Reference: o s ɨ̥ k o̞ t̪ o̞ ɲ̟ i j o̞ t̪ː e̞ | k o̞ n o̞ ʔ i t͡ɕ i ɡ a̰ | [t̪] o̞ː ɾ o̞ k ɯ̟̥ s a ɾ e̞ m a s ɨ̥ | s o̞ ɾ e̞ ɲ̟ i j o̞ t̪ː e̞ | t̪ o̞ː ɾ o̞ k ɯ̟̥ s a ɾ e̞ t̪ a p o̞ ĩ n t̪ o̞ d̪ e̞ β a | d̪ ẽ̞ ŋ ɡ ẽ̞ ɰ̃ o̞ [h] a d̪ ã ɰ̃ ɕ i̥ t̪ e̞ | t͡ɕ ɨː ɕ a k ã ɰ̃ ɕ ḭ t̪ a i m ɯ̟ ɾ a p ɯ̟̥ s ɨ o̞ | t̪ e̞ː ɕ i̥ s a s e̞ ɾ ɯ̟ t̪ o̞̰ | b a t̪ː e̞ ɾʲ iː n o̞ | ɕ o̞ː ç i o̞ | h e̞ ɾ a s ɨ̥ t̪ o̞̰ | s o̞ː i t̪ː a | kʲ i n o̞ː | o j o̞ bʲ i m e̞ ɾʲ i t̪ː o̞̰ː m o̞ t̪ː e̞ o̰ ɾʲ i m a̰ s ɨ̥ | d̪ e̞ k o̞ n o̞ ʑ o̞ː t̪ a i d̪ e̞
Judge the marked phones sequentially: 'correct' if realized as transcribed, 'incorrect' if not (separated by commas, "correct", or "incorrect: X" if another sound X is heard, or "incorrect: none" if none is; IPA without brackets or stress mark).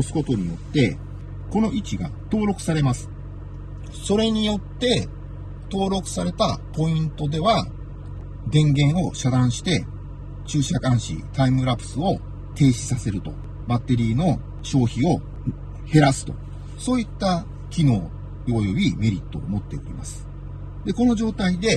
correct, incorrect: ɕ